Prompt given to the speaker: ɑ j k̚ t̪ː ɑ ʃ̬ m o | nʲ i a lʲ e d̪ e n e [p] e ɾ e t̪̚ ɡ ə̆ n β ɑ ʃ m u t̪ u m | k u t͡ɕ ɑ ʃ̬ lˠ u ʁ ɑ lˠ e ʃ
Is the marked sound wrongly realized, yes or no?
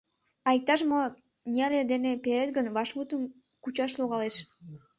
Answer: no